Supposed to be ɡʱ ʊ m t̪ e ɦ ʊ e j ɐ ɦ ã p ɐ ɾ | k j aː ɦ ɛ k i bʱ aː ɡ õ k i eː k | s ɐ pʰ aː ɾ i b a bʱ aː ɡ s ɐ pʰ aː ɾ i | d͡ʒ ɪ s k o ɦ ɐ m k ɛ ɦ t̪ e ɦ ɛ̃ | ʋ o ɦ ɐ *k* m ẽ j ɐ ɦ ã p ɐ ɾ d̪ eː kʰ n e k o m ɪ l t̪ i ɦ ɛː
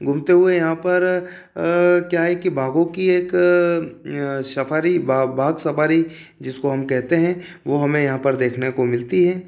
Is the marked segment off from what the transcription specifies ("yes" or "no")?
yes